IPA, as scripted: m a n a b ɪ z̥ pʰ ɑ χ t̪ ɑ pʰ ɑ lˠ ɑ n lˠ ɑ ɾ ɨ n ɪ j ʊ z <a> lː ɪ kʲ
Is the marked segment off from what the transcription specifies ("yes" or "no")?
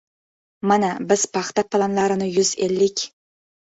yes